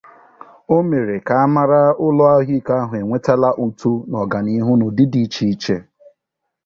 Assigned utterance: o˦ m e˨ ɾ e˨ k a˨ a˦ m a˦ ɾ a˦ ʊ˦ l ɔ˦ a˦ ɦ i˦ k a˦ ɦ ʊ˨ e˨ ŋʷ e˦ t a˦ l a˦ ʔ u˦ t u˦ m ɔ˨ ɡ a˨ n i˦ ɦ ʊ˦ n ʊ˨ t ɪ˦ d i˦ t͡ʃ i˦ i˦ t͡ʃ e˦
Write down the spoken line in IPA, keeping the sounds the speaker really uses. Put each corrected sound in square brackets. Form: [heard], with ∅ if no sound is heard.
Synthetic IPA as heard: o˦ m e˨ ɾ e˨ k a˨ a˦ m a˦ ɾ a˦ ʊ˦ l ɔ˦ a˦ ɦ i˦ k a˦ ɦ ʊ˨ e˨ ŋʷ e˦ t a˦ l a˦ ʔ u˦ t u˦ [n] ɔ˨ ɡ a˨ n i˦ ɦ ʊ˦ n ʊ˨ [d] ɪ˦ d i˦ t͡ʃ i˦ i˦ t͡ʃ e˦